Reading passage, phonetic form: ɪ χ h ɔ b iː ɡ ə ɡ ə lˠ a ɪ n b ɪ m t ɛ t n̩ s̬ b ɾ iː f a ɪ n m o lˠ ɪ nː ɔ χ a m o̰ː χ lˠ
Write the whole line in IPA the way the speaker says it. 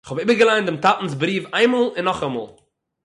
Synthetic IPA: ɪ χ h ɔ b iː b ə ɡ ə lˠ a ɪ n d ɪ m t a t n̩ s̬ b ɾ iː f a ɪ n m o lˠ ɪ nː ɔ χ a m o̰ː lˠ